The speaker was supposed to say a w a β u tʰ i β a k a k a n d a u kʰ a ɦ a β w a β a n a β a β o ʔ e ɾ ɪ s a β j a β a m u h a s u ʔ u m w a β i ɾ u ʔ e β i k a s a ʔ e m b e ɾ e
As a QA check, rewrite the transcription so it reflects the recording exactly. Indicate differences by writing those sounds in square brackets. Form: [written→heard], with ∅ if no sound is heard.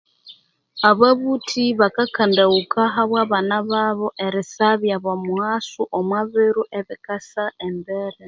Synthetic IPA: a [w→β] a β u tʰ i β a k a k a n d a u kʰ a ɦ a β w a β a n a β a β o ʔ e ɾ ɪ s a β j a β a m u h a s u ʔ [u→o] m w a β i ɾ u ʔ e β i k a s a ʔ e m b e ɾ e